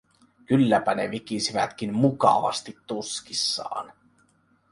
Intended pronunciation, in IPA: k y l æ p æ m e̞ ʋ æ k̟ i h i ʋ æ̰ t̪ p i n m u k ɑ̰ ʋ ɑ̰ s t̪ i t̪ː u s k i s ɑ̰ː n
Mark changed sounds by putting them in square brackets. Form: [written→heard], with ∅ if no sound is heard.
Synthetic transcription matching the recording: k y [l→lː] æ p æ [m→n] e̞ ʋ [æ→i] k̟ i [h→s] i ʋ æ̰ t̪ [p→k] i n m u k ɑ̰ ʋ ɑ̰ s t̪ i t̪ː u s k i [s→sː] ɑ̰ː n